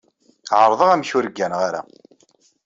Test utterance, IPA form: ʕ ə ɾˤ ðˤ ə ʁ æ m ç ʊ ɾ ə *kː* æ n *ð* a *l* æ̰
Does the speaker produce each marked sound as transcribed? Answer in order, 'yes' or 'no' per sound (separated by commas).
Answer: no, no, no